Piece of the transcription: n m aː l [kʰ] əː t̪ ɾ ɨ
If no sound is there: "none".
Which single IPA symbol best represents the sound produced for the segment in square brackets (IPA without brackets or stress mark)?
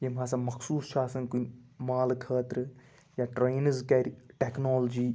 kʰ